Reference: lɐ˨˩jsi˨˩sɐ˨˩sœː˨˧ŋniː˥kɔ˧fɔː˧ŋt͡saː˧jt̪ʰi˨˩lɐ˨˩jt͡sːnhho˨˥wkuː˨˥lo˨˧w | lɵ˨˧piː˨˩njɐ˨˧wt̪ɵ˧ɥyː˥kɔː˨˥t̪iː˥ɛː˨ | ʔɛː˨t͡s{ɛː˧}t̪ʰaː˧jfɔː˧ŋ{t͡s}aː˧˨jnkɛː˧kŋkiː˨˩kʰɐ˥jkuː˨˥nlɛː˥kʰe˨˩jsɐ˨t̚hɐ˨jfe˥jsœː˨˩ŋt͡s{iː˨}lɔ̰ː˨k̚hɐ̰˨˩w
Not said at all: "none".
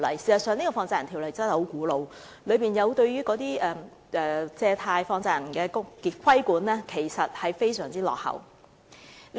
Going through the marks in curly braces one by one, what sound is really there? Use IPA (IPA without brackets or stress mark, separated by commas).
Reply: ɛː˧, t͡s, iː˥